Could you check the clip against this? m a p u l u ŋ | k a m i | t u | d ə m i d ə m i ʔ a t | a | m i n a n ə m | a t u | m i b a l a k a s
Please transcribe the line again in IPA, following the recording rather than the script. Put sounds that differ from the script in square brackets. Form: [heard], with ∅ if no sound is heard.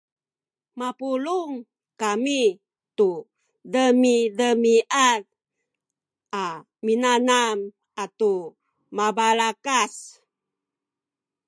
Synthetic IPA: m a p u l u ŋ | k a m i | t u | d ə m i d ə m i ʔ a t | a | m i n a n [a] m | a t u | m [a] b a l a k a s